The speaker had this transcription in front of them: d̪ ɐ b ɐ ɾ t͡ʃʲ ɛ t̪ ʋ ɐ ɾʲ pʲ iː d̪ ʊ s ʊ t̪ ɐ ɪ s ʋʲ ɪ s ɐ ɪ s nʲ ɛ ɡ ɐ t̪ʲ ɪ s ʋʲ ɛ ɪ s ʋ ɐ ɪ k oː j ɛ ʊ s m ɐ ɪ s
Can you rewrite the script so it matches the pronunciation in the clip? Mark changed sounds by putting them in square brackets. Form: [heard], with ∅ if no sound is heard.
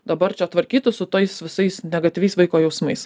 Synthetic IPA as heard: d̪ ɐ b ɐ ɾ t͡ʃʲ ɛ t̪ ʋ ɐ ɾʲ [kʲ] iː [t̪] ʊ s ʊ t̪ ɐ ɪ s ʋʲ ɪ s ɐ ɪ s nʲ ɛ ɡ ɐ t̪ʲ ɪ [∅] ʋʲ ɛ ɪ s ʋ ɐ ɪ k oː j ɛ ʊ s m ɐ ɪ s